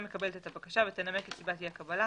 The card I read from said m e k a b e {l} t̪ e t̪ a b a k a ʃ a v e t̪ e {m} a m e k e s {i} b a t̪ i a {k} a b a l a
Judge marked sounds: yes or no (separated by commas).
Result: yes, no, yes, yes